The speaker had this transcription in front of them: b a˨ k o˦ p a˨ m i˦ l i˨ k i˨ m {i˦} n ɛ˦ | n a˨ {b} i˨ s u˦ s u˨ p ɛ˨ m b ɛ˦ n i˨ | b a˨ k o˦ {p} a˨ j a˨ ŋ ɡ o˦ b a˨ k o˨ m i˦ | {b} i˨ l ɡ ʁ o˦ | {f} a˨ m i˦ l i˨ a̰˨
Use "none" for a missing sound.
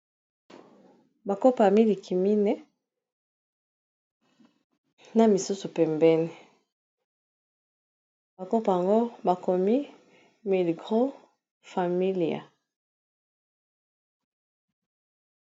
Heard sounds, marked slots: i˦, m, p, m, f

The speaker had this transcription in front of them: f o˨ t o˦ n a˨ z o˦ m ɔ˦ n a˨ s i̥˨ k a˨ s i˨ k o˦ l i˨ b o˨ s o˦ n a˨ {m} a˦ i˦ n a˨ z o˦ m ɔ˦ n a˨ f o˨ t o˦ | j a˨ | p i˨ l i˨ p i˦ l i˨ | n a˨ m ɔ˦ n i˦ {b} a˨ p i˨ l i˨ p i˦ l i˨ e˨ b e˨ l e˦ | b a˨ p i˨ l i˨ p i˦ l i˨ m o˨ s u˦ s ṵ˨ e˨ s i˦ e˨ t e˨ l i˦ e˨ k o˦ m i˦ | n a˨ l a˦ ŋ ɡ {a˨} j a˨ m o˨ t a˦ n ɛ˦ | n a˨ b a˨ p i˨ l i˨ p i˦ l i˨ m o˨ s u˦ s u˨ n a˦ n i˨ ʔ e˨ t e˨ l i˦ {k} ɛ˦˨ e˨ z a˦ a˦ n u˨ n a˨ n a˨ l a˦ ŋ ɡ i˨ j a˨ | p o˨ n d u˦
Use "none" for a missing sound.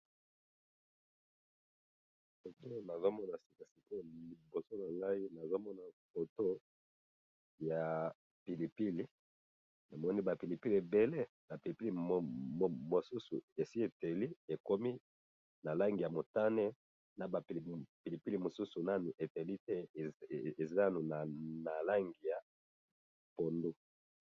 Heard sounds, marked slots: ŋ, b, i˨, t

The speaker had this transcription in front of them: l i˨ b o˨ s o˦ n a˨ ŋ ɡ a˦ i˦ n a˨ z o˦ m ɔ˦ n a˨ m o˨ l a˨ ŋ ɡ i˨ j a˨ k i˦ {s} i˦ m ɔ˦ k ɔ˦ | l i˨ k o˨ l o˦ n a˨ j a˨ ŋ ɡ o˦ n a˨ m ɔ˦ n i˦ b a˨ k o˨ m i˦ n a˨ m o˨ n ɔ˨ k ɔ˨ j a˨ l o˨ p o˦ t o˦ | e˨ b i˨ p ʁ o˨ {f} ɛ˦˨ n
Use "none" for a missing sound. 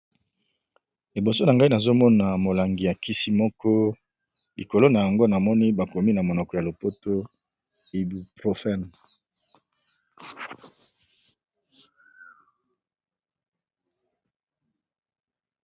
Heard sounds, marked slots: s, f

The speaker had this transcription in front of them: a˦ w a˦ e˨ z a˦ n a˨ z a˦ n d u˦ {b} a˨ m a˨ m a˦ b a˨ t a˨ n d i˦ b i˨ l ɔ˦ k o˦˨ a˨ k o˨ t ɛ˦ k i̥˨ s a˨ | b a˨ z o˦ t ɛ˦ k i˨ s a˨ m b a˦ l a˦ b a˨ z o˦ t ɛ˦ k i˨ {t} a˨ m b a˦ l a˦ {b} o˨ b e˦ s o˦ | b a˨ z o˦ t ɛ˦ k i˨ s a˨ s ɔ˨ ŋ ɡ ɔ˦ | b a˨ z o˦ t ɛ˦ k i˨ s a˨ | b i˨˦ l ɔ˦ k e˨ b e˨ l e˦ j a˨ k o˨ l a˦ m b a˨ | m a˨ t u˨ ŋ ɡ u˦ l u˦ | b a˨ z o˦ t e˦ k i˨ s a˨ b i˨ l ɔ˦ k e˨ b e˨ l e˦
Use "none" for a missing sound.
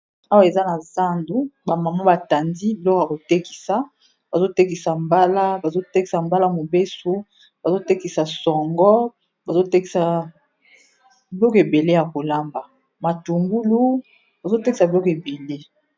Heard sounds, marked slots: b, s, m

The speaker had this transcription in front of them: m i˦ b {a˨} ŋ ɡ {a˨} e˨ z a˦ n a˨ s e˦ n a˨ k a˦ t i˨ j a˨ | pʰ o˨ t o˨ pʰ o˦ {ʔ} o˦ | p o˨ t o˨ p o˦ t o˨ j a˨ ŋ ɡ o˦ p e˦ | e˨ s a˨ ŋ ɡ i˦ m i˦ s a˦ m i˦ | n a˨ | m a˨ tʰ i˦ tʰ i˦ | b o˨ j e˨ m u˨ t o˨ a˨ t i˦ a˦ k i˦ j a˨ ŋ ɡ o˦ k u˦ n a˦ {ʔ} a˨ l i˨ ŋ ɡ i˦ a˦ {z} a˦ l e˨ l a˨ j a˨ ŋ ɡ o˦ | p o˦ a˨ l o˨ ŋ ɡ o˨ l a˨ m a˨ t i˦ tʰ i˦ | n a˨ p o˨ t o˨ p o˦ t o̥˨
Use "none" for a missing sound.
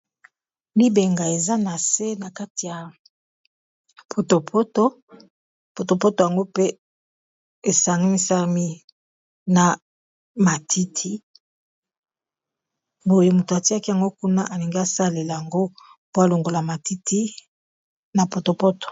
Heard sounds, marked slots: e˨, a˨, t, ʔ, s

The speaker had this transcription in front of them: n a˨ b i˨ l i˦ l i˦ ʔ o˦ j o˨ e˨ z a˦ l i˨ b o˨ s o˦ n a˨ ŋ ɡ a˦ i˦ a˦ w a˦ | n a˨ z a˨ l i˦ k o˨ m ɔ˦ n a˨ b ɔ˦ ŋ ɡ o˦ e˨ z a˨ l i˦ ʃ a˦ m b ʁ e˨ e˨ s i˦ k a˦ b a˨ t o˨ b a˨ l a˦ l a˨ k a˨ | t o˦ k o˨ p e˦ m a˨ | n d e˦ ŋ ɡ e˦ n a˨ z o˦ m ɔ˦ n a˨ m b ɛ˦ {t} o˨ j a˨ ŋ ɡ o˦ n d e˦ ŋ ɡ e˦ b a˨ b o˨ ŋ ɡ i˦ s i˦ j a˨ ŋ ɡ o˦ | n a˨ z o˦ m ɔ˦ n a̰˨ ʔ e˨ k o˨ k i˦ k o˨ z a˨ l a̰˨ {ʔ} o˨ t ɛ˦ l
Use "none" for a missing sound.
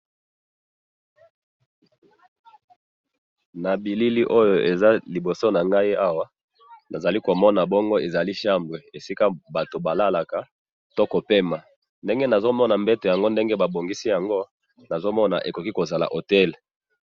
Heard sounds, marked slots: t, ʔ

